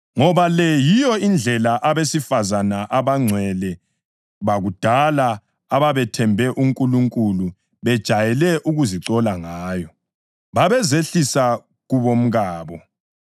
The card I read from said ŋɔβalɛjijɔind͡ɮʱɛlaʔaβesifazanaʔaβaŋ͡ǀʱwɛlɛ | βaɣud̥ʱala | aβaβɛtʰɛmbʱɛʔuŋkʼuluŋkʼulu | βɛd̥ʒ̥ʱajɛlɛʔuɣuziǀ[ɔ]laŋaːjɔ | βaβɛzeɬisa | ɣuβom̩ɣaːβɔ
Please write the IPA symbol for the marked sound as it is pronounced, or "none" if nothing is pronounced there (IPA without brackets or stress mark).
ɔ